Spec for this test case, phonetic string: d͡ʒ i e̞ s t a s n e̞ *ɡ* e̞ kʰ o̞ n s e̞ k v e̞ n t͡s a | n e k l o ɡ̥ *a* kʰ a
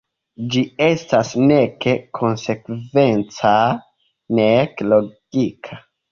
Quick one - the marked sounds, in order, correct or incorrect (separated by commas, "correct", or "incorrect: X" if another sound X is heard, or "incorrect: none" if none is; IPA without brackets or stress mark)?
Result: incorrect: k, incorrect: i